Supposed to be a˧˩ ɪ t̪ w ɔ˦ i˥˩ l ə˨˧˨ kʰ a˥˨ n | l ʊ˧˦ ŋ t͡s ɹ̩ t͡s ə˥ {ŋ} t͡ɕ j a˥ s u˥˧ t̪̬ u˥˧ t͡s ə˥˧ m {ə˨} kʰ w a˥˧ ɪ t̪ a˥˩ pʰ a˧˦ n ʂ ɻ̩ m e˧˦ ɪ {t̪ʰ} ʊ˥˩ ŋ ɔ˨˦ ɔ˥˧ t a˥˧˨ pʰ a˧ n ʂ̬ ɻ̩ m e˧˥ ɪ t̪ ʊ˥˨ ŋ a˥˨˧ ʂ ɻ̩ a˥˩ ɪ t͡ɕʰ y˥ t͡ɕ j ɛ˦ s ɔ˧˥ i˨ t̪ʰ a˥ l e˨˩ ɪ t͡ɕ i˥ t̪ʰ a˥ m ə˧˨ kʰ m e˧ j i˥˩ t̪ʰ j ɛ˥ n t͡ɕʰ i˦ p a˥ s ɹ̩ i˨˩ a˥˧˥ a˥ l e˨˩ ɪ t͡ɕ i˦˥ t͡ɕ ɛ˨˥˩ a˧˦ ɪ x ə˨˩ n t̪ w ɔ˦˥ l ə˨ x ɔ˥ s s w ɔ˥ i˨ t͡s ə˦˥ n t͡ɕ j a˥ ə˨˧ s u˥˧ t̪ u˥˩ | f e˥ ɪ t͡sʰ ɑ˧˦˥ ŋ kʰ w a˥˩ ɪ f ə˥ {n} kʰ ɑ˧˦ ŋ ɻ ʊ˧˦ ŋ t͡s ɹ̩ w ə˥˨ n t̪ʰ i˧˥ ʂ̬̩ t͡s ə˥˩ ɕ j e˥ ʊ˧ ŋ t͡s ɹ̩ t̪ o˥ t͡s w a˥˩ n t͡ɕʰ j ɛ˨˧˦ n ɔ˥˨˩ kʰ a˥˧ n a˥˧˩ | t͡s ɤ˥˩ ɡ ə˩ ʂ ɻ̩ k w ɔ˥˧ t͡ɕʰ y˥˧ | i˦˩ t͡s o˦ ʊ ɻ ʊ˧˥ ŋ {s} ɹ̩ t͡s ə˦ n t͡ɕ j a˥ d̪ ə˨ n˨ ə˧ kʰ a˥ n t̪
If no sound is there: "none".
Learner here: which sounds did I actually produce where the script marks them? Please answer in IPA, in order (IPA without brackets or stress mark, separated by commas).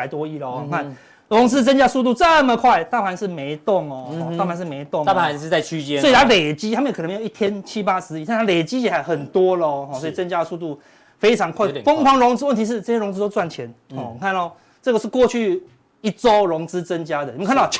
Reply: n, ə˨, t̪, ŋ, t͡s